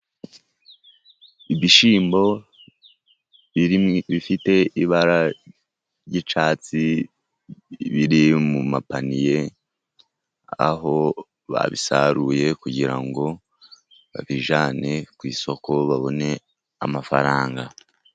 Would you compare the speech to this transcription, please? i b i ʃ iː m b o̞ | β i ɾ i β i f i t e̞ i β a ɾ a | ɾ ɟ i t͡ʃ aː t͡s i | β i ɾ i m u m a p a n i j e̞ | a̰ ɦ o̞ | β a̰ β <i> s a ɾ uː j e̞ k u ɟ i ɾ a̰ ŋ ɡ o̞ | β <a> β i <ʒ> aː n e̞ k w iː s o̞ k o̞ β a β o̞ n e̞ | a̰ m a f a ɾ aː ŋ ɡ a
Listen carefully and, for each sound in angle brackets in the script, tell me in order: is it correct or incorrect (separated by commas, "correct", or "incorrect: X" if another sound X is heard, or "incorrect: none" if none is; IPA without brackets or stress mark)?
correct, correct, correct